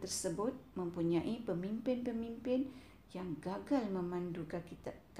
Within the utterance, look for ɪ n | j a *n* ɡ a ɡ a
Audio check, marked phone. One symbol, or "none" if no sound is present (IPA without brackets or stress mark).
ŋ